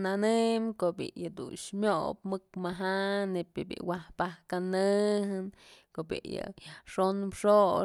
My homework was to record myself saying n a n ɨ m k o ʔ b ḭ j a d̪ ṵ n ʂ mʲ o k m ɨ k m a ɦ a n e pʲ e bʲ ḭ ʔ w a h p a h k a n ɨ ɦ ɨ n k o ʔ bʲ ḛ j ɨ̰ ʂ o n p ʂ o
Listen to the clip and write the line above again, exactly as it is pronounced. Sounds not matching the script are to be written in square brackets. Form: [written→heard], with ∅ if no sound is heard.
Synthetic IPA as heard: n a n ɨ m k o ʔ b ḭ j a d̪ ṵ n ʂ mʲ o [k→p] m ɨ k m a ɦ a n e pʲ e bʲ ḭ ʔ w a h p a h k a n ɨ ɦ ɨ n k o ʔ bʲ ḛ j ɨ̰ ʂ o n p ʂ o